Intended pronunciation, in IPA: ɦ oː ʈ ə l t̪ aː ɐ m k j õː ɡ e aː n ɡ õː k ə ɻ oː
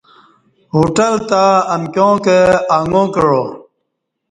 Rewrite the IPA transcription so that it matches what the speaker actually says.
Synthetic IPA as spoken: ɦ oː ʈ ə l t̪ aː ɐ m k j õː k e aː ŋ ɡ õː k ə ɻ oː